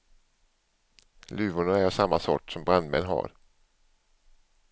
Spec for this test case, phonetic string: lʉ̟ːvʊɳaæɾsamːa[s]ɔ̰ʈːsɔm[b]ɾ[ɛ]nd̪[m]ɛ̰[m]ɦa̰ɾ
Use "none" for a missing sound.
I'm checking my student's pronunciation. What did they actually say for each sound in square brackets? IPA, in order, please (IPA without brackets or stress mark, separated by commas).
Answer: s, b, a, m, n